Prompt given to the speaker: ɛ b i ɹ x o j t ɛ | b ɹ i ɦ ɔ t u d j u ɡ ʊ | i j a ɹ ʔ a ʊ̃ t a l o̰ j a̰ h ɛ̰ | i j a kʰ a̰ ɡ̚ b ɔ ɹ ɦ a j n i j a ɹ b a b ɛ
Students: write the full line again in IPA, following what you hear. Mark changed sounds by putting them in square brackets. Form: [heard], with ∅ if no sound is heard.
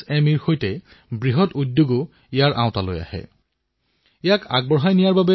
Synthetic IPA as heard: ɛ [m] i ɹ x o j t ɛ | b ɹ i ɦ ɔ t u d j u ɡ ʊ | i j a ɹ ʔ a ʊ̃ t a l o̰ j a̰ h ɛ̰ | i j a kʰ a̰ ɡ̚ b ɔ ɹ ɦ a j n i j a ɹ b a b ɛ